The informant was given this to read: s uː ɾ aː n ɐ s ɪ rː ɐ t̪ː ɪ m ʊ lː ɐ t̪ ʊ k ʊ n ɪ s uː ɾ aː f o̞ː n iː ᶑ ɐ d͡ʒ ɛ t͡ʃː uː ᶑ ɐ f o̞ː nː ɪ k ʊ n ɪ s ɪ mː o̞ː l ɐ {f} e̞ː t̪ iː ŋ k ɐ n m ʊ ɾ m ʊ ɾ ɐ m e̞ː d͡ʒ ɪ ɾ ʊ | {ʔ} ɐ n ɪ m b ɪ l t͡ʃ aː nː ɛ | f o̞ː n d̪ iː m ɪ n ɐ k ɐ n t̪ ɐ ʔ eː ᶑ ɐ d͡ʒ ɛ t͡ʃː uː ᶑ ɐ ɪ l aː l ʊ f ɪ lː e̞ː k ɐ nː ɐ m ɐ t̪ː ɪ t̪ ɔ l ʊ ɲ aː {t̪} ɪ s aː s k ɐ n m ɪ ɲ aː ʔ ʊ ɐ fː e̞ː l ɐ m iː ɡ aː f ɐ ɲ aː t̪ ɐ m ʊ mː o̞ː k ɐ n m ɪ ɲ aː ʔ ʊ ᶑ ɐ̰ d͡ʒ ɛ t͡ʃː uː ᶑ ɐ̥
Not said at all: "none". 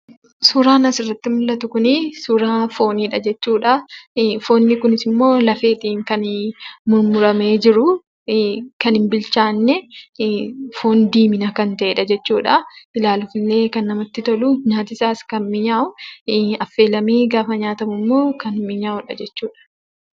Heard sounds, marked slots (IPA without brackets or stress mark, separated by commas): f, k, t̪